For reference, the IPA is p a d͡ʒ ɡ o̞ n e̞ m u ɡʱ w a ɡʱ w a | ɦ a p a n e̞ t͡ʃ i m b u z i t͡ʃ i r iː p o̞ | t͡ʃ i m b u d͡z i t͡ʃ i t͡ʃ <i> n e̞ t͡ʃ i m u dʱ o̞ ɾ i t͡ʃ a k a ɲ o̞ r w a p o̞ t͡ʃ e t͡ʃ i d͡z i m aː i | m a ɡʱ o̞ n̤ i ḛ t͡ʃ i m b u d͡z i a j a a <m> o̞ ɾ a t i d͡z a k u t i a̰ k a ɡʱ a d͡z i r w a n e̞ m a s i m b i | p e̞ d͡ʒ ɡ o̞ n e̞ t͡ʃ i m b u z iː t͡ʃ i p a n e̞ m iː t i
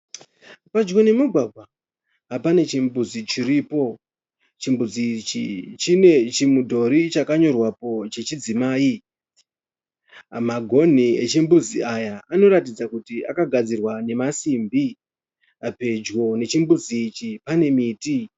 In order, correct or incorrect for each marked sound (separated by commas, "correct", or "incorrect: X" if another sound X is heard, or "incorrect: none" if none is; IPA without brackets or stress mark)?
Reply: correct, incorrect: n